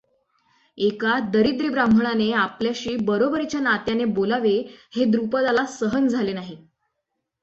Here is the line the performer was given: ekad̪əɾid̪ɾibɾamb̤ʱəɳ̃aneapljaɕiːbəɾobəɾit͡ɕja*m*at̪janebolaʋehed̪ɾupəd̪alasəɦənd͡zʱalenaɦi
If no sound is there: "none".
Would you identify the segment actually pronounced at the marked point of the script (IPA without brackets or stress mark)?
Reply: n